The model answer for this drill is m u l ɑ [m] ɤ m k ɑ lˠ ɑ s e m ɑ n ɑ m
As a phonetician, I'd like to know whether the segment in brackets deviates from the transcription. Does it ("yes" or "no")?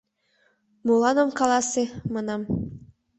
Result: yes